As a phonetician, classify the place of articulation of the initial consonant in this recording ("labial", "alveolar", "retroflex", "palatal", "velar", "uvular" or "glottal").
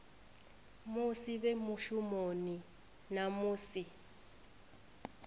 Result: labial